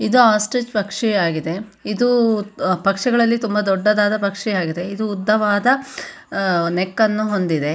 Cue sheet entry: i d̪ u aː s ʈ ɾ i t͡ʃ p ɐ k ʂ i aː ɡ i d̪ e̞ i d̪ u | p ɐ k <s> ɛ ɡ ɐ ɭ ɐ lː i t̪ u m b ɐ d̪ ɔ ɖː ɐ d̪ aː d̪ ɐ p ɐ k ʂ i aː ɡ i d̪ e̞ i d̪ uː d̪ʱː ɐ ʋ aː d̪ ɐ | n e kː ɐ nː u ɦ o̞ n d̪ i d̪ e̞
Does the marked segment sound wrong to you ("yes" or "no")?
yes